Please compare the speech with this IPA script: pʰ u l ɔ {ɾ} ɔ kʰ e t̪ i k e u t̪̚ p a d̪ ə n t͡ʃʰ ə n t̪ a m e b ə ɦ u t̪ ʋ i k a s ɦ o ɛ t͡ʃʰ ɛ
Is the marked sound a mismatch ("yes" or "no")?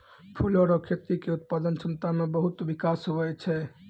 no